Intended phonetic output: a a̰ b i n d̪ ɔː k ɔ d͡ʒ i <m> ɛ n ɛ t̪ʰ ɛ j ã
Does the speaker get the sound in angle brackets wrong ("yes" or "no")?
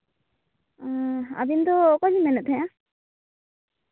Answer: no